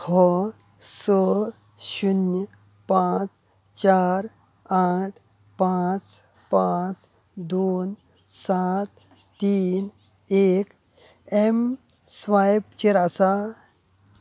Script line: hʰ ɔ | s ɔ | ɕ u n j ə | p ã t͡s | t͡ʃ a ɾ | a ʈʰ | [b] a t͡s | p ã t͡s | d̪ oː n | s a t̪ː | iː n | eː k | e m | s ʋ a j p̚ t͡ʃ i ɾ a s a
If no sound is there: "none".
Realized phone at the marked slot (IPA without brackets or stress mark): p